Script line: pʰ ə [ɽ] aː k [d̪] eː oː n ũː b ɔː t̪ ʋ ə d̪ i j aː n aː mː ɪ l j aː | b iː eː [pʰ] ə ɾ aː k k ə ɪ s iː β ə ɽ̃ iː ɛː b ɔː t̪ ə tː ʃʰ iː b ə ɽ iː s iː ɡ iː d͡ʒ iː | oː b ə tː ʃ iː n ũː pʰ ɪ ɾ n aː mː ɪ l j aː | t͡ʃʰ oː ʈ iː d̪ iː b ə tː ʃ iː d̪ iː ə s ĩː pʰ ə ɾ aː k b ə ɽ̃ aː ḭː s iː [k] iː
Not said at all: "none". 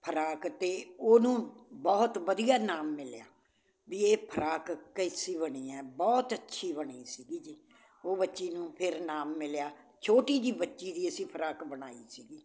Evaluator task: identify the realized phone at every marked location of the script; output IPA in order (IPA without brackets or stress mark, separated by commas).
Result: ɾ, t̪, pʰ, ɡ